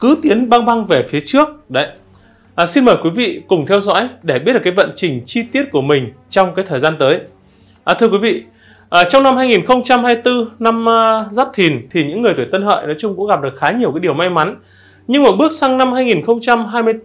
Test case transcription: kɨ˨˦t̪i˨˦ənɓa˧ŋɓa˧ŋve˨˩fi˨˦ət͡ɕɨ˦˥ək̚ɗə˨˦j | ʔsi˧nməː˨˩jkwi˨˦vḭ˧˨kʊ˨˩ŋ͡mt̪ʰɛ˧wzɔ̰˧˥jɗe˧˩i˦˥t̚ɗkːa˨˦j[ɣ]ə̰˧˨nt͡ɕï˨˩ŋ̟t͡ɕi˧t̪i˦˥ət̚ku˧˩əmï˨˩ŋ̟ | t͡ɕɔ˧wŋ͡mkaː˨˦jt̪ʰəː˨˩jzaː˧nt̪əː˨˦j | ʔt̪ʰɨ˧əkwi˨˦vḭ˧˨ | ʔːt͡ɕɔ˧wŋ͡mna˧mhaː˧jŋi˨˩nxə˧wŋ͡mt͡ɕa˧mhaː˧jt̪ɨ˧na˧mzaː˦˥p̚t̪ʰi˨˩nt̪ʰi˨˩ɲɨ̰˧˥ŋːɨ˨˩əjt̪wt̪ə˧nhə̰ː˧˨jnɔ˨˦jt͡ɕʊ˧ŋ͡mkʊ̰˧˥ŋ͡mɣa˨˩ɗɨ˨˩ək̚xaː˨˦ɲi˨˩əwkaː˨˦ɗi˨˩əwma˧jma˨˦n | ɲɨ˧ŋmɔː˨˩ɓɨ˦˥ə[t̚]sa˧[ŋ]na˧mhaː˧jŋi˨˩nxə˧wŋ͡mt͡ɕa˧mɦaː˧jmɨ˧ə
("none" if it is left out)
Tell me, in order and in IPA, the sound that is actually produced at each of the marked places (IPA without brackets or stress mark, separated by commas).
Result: v, k̚, ŋ